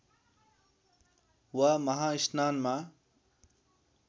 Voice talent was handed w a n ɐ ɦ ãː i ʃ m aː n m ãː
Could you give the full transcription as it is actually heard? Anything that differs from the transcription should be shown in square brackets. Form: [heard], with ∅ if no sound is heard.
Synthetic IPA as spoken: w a [m] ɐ ɦ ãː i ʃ [n] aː n m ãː